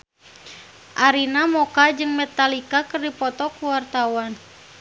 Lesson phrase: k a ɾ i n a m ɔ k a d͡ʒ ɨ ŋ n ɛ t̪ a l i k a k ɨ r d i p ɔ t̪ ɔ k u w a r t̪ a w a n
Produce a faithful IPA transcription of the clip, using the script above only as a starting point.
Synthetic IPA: ʔ a ɾ i n a m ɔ k a d͡ʒ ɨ ŋ m ɛ t̪ a l i k a k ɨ r d i p ɔ t̪ ɔ k u w a r t̪ a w a n